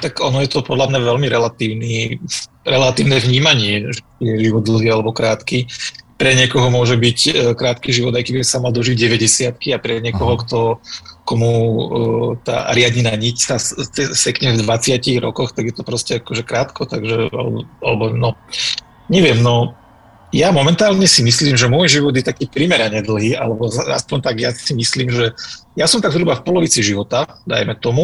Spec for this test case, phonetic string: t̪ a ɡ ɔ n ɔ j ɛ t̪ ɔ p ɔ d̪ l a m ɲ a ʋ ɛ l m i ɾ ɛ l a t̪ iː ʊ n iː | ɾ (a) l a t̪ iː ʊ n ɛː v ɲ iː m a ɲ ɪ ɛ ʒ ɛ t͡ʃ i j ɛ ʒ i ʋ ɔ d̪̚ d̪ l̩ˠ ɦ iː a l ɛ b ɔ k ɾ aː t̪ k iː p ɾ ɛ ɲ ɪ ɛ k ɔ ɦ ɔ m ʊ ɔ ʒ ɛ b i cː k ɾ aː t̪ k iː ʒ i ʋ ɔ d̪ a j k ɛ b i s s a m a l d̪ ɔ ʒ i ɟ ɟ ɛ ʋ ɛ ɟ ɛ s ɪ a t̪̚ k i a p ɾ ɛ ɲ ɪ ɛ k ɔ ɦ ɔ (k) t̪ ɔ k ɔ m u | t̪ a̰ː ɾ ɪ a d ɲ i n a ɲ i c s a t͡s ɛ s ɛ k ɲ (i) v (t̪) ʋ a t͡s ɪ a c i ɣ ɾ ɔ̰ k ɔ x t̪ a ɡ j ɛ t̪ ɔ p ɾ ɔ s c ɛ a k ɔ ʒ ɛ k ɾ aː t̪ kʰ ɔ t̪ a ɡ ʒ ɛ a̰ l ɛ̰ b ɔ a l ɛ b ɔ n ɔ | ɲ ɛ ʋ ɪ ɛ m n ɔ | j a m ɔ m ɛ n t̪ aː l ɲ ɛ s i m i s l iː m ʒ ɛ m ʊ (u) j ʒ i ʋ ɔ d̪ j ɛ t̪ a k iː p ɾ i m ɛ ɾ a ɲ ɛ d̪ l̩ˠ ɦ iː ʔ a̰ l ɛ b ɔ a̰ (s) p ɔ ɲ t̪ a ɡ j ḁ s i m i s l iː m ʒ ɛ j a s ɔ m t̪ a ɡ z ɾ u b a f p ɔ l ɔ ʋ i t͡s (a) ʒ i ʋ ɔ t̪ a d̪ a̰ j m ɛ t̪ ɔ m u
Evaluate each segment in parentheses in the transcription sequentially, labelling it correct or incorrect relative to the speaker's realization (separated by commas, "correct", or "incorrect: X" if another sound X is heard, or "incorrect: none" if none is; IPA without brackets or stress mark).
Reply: incorrect: ɛ, correct, incorrect: ɛ, incorrect: d̪, incorrect: ɔ, correct, incorrect: i